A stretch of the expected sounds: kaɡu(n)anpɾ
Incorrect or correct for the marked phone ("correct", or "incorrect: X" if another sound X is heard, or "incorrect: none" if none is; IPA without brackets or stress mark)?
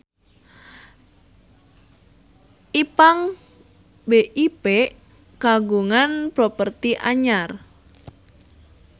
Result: incorrect: ŋ